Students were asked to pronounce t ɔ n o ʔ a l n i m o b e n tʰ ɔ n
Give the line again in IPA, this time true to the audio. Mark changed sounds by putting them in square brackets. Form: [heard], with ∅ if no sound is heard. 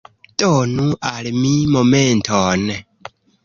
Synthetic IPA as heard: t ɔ n [u] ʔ a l [m] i m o [m] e n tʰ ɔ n